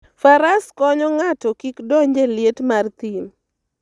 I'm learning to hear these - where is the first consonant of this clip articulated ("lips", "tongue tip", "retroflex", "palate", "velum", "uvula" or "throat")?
lips